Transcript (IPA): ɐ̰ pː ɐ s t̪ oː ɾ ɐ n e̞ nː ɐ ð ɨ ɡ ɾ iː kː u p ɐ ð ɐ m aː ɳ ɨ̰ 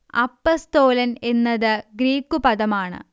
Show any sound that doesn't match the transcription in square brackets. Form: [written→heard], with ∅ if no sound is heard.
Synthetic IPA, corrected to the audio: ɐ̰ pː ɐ s t̪ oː [ɾ→l] ɐ n e̞ nː ɐ ð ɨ ɡ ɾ iː kː u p ɐ ð ɐ m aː ɳ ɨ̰